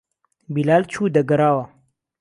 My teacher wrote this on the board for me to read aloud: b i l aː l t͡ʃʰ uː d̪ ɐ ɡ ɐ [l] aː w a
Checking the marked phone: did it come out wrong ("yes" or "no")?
yes